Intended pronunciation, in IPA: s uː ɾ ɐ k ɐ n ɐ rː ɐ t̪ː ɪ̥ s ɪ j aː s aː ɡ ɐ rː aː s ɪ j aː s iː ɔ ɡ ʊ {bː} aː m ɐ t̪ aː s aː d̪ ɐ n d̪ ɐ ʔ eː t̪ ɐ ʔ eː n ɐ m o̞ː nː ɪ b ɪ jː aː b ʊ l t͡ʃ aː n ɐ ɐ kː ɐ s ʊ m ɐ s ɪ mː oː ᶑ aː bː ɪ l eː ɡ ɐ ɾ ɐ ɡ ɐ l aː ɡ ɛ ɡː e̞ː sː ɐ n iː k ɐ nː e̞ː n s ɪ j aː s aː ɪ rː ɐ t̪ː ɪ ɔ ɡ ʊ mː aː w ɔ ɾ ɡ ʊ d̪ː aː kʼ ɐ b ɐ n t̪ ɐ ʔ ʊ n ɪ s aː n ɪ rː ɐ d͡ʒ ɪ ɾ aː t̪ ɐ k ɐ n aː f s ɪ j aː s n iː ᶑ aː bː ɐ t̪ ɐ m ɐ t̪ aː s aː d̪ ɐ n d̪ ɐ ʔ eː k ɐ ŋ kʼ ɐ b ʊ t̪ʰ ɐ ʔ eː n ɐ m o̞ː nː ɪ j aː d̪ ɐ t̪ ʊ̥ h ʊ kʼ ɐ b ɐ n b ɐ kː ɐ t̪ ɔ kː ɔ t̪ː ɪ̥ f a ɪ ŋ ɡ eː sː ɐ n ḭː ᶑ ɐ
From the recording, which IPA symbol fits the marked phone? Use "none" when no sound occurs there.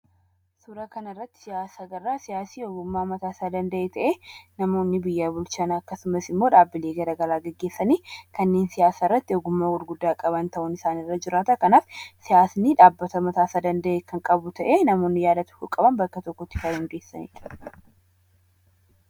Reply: mː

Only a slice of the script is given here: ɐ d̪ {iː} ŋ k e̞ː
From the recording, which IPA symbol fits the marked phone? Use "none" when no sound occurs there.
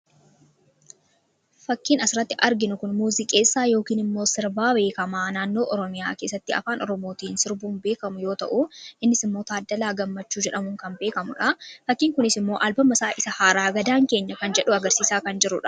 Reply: aː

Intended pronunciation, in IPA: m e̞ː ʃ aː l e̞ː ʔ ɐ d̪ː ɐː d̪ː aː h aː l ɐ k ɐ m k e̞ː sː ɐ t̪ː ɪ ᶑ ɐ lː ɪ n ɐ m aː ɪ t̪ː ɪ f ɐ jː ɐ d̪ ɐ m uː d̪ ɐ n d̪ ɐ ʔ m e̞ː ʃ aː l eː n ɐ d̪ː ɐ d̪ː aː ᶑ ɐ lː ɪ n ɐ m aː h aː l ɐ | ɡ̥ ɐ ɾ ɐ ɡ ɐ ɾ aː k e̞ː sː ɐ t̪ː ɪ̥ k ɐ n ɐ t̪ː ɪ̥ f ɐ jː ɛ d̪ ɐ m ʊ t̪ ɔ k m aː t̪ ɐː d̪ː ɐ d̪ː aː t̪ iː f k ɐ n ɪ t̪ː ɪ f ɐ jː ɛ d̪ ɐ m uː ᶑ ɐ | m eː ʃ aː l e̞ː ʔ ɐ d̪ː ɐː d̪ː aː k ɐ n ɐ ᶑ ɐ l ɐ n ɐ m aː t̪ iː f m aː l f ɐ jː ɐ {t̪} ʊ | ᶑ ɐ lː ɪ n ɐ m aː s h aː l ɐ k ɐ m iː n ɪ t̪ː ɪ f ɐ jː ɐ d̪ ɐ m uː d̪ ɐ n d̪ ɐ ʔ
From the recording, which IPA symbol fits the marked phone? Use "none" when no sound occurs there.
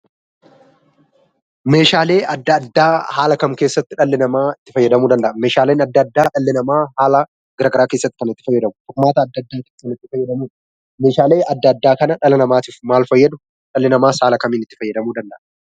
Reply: d̪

